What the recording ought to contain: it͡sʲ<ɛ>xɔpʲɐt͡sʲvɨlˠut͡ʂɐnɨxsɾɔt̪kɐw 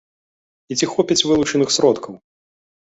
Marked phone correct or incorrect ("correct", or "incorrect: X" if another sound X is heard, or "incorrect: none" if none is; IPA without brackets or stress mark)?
incorrect: i